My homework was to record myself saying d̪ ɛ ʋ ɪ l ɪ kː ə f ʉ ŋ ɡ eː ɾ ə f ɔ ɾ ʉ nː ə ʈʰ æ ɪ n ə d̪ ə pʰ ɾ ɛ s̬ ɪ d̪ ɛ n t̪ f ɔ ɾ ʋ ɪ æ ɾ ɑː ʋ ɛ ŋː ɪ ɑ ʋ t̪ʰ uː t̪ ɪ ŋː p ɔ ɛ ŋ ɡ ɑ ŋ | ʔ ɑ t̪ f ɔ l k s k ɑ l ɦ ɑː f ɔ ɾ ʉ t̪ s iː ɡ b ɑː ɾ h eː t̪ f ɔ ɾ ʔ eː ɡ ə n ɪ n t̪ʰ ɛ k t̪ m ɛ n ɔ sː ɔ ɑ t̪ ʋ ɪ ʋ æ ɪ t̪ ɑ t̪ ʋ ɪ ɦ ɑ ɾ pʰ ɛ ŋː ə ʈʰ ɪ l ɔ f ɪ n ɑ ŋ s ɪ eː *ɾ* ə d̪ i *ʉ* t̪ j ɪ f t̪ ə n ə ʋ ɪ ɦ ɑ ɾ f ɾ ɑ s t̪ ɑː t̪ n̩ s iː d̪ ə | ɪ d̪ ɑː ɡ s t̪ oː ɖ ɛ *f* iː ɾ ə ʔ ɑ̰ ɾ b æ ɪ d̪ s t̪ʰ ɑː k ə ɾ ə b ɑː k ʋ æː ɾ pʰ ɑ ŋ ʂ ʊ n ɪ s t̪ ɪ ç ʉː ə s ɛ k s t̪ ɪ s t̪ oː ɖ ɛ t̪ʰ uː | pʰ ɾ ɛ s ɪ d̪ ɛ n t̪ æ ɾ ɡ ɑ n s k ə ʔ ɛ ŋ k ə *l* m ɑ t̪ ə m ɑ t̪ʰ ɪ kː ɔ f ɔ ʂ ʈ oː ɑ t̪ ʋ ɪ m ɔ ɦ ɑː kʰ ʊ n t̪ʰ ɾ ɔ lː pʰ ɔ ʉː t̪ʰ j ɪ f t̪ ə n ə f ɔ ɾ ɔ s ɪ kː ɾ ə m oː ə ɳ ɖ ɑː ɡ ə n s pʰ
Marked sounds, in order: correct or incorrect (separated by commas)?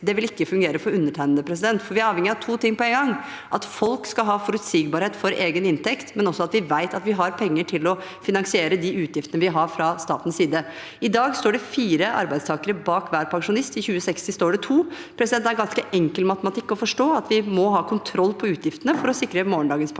correct, incorrect, correct, correct